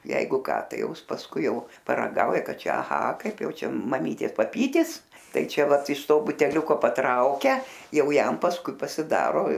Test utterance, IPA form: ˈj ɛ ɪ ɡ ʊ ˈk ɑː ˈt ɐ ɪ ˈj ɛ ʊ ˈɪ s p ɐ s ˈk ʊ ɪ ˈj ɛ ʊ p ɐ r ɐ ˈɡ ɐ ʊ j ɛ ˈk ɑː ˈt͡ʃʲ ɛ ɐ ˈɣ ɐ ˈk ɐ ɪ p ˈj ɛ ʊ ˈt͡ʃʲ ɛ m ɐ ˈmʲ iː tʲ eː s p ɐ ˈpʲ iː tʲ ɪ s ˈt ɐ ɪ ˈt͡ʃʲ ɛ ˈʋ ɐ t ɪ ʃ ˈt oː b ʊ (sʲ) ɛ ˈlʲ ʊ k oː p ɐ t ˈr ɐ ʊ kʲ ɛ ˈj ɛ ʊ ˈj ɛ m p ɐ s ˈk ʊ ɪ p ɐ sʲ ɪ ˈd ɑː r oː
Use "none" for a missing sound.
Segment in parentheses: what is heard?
tʲ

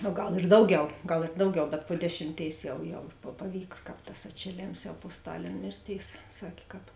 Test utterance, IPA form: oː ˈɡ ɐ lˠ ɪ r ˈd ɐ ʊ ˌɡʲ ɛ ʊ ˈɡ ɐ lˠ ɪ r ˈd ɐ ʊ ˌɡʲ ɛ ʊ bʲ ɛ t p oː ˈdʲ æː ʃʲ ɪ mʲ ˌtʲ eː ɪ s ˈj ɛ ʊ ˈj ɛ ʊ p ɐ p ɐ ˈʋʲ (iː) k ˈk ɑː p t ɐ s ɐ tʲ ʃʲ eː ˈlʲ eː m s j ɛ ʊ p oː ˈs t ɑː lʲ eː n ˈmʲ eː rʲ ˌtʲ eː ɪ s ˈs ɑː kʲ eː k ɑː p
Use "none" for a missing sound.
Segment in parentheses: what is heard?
iː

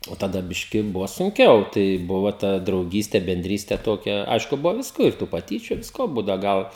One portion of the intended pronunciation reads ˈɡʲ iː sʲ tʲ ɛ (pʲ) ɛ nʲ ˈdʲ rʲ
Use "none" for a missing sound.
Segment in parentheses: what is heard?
bʲ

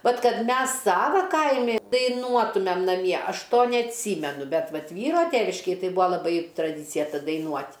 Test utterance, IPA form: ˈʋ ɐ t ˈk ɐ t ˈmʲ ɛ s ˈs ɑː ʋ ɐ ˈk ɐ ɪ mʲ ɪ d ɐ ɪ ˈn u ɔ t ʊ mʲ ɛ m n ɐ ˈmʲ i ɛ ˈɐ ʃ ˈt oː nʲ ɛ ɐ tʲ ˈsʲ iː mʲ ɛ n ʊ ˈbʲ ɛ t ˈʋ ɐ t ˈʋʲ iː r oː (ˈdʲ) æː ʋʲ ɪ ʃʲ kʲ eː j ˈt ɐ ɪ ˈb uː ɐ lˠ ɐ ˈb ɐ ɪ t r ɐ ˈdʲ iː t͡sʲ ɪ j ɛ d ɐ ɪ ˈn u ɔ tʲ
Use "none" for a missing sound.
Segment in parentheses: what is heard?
tʲ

